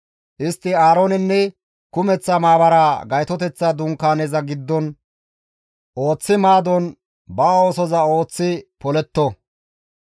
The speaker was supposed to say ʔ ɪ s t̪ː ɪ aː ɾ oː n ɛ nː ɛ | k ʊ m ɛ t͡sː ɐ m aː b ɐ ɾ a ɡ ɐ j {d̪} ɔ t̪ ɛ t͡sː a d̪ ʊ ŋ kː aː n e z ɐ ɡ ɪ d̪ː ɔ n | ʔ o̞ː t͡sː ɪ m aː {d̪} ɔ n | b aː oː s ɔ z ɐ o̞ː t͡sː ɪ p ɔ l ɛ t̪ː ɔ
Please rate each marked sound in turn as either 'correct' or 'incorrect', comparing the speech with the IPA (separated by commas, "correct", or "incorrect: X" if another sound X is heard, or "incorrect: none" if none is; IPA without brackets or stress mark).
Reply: incorrect: t̪, correct